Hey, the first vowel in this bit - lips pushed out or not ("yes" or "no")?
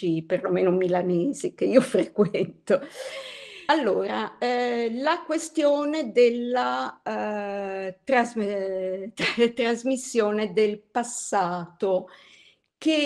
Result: no